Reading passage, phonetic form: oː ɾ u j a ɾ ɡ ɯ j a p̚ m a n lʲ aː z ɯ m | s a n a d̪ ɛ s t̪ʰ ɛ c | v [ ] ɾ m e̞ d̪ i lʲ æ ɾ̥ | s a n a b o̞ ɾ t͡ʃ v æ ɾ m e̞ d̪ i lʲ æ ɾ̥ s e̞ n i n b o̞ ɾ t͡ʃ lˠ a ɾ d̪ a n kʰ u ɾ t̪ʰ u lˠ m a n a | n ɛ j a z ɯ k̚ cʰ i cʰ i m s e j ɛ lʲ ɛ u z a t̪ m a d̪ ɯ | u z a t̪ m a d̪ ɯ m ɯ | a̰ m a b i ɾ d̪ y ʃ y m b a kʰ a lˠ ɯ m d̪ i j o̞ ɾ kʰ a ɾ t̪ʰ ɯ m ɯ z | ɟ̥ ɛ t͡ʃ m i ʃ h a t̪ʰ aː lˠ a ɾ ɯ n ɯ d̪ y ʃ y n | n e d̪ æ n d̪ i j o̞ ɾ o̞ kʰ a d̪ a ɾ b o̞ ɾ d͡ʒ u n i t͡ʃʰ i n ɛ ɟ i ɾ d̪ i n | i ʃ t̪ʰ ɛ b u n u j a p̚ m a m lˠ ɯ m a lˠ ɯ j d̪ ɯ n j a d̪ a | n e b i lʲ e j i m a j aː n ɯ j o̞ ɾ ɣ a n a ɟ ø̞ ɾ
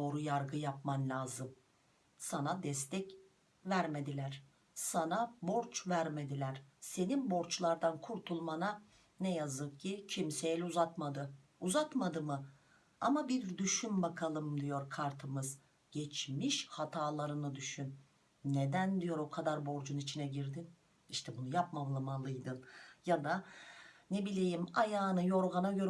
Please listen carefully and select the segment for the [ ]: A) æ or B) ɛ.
A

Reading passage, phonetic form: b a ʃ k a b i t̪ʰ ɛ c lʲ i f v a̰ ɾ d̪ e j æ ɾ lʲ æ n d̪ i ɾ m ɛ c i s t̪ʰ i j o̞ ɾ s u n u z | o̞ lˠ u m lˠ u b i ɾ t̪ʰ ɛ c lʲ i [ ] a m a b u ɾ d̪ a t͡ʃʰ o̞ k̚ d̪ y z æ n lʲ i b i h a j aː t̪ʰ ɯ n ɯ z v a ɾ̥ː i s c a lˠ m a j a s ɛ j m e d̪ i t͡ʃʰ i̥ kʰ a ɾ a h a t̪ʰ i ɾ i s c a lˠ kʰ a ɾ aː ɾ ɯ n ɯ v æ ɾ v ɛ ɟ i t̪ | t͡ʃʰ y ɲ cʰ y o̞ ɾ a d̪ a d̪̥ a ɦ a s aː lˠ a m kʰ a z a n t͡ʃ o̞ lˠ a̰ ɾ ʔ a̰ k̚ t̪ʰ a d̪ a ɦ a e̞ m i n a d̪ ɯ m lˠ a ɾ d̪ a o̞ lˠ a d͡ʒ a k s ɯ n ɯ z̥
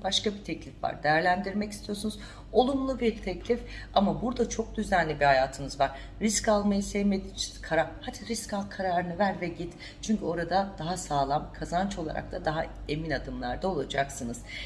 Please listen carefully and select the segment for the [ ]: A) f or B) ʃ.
A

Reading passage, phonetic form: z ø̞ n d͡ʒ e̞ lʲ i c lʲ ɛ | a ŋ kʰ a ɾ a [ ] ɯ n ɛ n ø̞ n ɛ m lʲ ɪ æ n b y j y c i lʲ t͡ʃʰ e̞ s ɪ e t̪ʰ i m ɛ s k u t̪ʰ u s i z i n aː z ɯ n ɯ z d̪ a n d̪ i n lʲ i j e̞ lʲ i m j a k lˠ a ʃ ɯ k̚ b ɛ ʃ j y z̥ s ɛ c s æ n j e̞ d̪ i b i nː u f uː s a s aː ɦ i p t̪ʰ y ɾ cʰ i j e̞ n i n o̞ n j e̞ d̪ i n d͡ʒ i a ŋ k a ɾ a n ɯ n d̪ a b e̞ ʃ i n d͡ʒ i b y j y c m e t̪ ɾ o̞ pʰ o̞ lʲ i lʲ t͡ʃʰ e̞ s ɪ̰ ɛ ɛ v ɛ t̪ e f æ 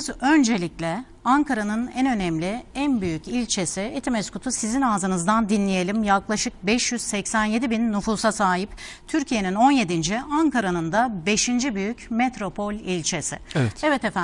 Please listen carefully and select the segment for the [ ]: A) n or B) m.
A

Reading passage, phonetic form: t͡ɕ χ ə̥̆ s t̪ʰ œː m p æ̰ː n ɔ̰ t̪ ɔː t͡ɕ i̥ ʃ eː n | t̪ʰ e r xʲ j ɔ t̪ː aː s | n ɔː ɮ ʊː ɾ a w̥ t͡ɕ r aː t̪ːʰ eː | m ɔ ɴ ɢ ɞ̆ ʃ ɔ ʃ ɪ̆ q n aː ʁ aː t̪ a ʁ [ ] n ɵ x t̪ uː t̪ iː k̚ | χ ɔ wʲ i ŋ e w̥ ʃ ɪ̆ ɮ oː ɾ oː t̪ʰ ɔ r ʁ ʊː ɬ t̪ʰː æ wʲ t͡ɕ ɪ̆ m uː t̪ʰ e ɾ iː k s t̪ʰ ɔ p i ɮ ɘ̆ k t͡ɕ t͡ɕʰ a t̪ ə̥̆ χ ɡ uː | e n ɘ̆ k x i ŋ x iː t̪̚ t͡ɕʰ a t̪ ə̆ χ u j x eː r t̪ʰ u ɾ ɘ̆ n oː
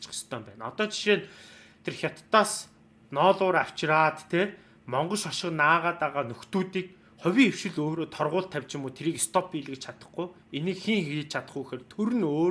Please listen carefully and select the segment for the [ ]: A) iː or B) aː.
B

